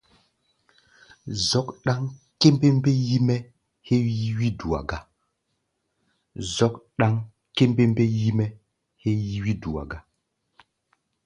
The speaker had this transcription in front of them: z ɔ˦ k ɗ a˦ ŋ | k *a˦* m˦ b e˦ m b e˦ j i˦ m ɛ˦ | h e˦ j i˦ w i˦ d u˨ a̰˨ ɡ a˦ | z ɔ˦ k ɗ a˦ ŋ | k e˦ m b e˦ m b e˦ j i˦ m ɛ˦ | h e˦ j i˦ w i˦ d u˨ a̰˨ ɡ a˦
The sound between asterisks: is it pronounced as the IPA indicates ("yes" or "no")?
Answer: no